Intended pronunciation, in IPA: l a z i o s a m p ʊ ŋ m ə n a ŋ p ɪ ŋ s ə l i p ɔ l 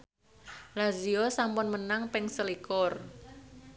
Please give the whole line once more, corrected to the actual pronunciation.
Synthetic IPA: l a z i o s a m p ʊ n m ə n a ŋ p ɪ ŋ s ə l i k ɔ r

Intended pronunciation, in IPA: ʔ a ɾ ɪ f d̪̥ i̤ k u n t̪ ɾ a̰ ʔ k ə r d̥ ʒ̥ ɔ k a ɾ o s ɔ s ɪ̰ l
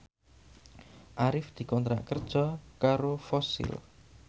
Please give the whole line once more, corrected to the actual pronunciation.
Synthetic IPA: ʔ a ɾ ɪ f d̪̥ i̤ k ɔ n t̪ ɾ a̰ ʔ k ə r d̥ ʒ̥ ɔ k a ɾ o f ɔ s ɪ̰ l

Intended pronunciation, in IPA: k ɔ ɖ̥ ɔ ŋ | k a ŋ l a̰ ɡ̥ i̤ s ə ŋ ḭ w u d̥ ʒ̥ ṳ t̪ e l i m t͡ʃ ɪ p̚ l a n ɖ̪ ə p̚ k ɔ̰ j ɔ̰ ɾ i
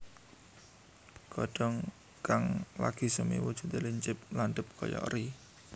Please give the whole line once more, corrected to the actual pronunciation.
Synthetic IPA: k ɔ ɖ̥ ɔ ŋ | k a ŋ l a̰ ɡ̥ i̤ s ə m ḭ w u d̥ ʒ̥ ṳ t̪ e l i ɲ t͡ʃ ɪ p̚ l a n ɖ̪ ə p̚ k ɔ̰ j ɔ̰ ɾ i

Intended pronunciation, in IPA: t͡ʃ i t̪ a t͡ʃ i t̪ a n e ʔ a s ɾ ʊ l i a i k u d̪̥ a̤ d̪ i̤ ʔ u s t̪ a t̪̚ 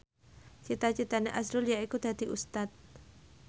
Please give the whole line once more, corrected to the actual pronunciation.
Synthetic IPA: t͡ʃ i t̪ a t͡ʃ i t̪ a n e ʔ a s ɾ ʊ l j a i k u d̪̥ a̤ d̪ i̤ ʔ u s t̪ a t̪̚

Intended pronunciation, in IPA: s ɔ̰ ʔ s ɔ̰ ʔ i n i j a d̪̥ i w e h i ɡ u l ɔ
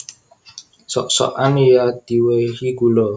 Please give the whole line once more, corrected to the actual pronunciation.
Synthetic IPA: s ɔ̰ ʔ s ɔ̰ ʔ a n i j a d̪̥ i w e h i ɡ u l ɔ

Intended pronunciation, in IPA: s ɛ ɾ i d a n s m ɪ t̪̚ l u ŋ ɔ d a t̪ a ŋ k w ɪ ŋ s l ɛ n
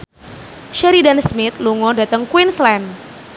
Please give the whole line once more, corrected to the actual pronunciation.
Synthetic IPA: ʃ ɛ ɾ i d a n s m ɪ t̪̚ l u ŋ ɔ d a t̪ ə ŋ k w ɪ n s l ɛ n

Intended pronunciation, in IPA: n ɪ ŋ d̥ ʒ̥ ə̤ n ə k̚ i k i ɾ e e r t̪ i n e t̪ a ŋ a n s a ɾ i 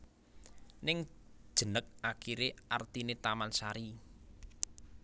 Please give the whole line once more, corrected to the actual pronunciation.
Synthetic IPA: n ɪ ŋ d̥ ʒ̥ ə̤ n ə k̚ a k i ɾ e a r t̪ i n e t̪ a m a n s a ɾ i

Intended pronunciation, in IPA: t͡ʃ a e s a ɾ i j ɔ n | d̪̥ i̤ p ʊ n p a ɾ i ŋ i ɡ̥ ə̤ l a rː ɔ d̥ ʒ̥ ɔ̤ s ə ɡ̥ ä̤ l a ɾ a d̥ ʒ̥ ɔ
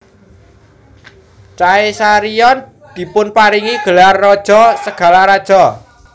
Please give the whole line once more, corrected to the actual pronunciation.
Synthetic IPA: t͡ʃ a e s a ɾ i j ɔ n | d̪̥ i̤ p ʊ n p a ɾ i ŋ i ɡ̥ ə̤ l a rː ɔ d̥ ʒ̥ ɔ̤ s ə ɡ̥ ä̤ l a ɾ a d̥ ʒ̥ ɔ

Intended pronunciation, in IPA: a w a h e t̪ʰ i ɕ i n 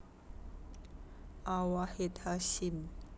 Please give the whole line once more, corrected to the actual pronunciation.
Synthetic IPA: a w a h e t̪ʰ a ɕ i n

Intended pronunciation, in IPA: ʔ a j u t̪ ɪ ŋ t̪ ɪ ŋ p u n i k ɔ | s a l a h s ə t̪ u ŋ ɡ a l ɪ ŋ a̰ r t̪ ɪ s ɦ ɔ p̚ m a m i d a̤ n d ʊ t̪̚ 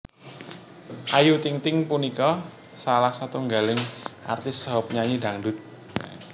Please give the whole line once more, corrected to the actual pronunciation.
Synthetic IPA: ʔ a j u t̪ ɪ ŋ t̪ ɪ ŋ p u n i k ɔ | s a l a h s a t̪ u ŋ ɡ a l ɪ ŋ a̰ r t̪ ɪ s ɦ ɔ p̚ ɲ a ɲ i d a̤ ŋ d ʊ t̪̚

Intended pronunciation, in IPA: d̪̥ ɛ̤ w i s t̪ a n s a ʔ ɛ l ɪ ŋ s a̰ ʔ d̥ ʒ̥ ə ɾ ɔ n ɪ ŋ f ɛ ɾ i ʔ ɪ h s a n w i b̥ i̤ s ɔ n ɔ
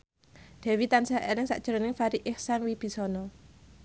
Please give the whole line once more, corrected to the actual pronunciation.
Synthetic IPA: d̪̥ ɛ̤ w i t̪ a n s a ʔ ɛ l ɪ ŋ s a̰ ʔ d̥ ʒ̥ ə ɾ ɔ n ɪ ŋ f a ɾ i ʔ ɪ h s a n w i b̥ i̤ s ɔ n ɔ

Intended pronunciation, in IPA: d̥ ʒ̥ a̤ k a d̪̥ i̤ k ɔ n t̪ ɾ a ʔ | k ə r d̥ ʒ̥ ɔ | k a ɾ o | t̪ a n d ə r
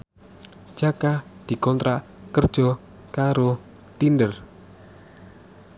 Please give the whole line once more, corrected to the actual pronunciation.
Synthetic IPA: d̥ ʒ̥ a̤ k a d̪̥ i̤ k ɔ n t̪ ɾ a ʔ | k ə r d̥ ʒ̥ ɔ | k a ɾ o | t̪ i n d ə r

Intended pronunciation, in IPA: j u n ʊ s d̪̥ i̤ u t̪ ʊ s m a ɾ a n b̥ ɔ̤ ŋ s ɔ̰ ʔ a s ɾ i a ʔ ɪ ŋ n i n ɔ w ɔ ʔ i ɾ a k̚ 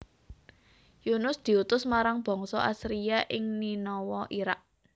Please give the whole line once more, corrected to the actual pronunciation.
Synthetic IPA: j u n ʊ s d̪̥ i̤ u t̪ ʊ s m a ɾ a ŋ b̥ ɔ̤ ŋ s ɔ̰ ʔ a s ɾ i a ʔ ɪ ŋ n i n ɔ w ɔ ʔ i ɾ a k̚

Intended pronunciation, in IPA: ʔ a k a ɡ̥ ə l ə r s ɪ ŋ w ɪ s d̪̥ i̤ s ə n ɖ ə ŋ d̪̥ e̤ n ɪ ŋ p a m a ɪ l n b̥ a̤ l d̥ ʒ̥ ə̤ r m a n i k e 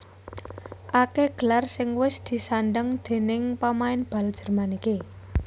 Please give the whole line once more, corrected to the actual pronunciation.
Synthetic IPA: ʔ a k e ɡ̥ ə l a r s ɪ ŋ w ɪ s d̪̥ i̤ s a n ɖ ə ŋ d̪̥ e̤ n ɪ ŋ p a m a ɪ n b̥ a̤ l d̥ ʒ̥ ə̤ r m a n i k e

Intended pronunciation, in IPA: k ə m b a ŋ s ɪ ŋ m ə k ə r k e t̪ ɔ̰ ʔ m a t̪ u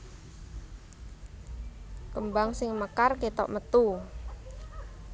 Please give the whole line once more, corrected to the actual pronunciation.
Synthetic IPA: k ə m b a ŋ s ɪ ŋ m ə k a r k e t̪ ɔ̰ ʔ m ə t̪ u

